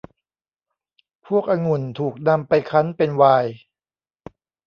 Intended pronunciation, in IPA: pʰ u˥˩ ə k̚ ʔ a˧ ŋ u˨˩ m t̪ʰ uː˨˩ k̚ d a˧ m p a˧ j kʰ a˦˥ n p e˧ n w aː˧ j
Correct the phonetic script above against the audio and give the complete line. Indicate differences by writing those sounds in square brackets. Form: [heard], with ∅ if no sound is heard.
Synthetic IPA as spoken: pʰ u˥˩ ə k̚ ʔ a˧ ŋ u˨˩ [n] t̪ʰ uː˨˩ k̚ [n] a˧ m p a˧ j kʰ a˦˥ n p e˧ n w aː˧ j